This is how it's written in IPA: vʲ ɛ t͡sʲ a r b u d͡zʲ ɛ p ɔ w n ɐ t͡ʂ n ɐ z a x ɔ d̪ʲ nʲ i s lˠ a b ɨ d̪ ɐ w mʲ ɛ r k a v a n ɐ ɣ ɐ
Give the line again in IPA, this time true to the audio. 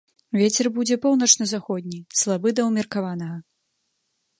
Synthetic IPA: vʲ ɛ t͡sʲ ɛ r b u d͡zʲ ɛ p ɔ w n ɐ t͡ʂ n ɐ z a x ɔ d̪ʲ nʲ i s lˠ a b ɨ d̪ ɐ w mʲ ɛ r k a v a n ɐ ɣ ɐ